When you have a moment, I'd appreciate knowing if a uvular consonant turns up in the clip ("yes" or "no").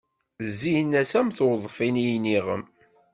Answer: yes